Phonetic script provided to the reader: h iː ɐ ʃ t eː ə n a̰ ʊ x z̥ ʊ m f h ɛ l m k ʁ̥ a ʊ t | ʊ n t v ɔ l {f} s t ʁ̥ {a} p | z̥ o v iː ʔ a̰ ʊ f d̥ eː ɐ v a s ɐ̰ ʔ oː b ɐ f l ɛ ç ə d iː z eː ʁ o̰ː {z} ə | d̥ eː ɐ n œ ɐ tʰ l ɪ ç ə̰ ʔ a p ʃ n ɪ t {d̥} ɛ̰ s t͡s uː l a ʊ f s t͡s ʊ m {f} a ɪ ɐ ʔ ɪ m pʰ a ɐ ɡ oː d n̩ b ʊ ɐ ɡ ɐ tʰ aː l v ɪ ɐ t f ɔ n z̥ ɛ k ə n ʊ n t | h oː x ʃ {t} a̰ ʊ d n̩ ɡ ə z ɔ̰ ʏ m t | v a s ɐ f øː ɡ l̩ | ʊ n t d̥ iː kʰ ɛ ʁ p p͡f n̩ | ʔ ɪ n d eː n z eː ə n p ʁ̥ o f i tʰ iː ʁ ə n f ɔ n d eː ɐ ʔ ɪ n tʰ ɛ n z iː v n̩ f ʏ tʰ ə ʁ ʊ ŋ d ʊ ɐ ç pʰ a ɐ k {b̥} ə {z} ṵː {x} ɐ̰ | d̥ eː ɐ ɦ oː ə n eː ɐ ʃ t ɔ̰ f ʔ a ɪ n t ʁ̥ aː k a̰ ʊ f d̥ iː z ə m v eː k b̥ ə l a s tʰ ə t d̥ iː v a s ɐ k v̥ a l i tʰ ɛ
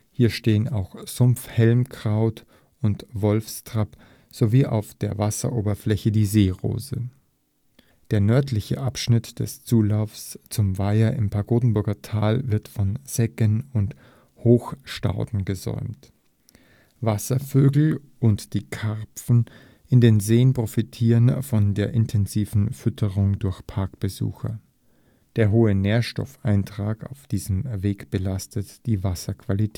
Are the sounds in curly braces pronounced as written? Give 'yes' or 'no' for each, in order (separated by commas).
yes, yes, yes, yes, no, yes, yes, yes, yes